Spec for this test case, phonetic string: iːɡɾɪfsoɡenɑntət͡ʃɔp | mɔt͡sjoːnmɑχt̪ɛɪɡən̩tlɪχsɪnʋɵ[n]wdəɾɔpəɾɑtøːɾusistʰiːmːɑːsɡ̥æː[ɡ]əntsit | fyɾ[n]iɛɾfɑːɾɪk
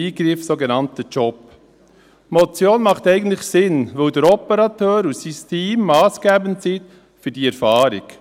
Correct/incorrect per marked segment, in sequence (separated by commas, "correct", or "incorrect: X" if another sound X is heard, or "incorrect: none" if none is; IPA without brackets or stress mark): incorrect: none, incorrect: b, incorrect: d